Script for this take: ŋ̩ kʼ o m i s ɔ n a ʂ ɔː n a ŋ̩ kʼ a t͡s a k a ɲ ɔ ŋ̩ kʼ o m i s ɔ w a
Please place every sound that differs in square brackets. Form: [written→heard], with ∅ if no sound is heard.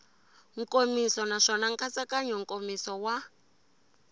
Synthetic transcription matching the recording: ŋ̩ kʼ o m i s ɔ n a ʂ [ɔː→ɔ] n a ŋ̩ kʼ a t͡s a k a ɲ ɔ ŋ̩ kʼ o m i s ɔ w a